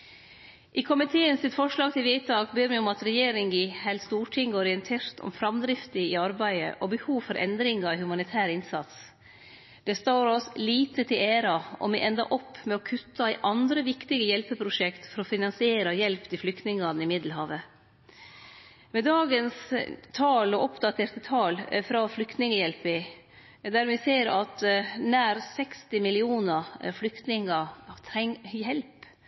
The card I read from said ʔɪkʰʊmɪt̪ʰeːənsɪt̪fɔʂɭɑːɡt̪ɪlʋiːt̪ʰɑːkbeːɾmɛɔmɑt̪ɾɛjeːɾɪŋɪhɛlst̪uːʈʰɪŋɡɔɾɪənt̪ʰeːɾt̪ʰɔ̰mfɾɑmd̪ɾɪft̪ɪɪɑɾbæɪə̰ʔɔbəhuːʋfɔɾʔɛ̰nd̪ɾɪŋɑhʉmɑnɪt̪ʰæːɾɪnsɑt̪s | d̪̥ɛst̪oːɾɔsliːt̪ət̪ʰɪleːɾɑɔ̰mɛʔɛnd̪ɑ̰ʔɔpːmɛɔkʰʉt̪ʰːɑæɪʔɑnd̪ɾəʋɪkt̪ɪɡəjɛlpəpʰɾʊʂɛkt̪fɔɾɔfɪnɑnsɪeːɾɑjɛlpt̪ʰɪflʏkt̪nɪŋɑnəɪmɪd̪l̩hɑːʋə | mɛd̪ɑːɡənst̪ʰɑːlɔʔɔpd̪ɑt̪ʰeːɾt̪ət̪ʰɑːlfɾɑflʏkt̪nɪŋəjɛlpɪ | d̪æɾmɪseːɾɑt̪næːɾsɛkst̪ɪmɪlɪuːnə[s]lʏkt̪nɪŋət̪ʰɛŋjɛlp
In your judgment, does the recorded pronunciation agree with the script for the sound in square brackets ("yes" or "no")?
no